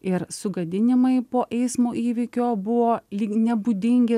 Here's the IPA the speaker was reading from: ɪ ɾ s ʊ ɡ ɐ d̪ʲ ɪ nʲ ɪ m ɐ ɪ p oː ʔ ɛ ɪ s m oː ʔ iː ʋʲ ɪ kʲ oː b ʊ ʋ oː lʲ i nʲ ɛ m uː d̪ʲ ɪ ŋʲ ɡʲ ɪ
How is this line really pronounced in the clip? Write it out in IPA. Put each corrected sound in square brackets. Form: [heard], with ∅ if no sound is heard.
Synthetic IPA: ɪ ɾ s ʊ ɡ ɐ d̪ʲ ɪ nʲ ɪ m ɐ ɪ p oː ʔ ɛ ɪ s m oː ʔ iː ʋʲ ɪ kʲ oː b ʊ ʋ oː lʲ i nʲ ɛ [b] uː d̪ʲ ɪ ŋʲ ɡʲ ɪ